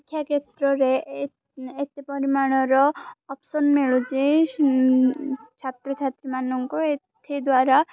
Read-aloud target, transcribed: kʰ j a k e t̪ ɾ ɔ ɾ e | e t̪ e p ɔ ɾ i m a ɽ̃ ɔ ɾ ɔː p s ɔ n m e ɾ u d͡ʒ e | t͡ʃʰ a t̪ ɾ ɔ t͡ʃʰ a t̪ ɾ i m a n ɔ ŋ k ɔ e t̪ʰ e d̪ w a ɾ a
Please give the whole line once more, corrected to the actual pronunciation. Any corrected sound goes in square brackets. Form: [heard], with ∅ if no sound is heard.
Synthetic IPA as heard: kʰ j a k e t̪ ɾ ɔ ɾ e | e t̪ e p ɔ ɾ i m a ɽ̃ ɔ ɾ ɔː p s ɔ n m e [ɭ] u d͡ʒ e | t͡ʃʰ a t̪ ɾ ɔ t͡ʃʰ a t̪ ɾ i m a n ɔ ŋ k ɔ e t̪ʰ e d̪ w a ɾ a